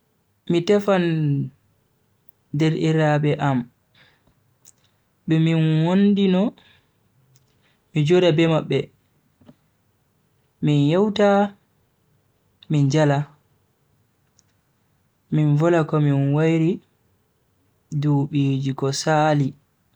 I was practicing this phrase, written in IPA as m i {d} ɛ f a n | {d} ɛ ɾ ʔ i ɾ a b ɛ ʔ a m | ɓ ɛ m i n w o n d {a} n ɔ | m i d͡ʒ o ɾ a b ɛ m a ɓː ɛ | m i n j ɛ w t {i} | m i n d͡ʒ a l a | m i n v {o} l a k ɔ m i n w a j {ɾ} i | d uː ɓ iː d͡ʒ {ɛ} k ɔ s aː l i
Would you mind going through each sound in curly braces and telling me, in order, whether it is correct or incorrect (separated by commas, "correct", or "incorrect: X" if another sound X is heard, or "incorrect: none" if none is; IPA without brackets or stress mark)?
incorrect: t, correct, incorrect: i, incorrect: a, incorrect: ɔ, correct, incorrect: i